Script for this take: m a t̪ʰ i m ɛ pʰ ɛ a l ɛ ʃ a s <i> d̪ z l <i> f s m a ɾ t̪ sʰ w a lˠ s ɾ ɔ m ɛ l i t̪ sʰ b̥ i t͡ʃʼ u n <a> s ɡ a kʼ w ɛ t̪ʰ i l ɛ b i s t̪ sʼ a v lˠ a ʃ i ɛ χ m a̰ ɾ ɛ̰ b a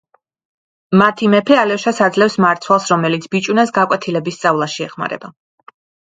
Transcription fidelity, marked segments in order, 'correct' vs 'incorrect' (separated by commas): incorrect, incorrect, correct